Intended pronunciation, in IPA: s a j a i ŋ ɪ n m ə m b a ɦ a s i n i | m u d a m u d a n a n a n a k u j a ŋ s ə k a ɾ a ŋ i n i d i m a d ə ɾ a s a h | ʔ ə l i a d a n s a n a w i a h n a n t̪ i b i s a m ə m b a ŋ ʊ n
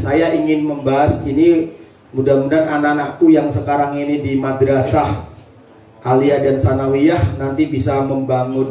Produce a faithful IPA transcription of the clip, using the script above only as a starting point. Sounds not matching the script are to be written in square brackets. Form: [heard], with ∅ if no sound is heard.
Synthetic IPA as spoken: s a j a i ŋ ɪ n m ə m b a ɦ a s i n i | m u d a m u d a n a n a n a k u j a ŋ s ə k a ɾ a ŋ i n i d i m a d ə ɾ a s a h | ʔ [a] l i a d a n s a n a w i a h n a n t̪ i b i s a m ə m b a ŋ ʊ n